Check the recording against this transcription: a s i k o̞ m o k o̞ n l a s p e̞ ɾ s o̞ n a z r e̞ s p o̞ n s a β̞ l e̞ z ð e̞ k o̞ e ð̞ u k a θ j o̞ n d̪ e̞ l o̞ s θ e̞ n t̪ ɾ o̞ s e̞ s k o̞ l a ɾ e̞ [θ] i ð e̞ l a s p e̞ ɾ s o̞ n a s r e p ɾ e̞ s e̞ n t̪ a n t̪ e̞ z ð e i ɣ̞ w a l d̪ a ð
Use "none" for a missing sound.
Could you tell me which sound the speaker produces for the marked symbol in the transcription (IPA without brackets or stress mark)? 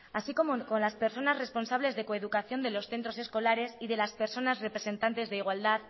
s